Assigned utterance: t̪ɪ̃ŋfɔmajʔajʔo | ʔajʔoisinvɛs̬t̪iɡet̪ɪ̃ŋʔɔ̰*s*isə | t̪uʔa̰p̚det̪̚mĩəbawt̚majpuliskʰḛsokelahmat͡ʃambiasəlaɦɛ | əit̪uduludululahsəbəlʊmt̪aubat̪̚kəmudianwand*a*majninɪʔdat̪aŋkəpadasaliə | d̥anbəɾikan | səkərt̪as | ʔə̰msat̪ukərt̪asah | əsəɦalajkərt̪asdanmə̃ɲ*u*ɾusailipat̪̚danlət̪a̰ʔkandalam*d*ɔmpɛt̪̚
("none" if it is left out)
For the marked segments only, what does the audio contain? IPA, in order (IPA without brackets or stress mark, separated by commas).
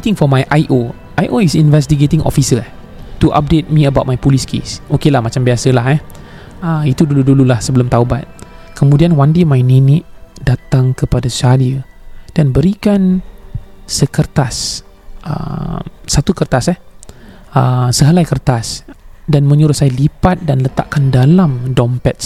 f, e, u, d